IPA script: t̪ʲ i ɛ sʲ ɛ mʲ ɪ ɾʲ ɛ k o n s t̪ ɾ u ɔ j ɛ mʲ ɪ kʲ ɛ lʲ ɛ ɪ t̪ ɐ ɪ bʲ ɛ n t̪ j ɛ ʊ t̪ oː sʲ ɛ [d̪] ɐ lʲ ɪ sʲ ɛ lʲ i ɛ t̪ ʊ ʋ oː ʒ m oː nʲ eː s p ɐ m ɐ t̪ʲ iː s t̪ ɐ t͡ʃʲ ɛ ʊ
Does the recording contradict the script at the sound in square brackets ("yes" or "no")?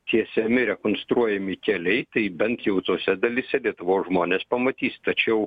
no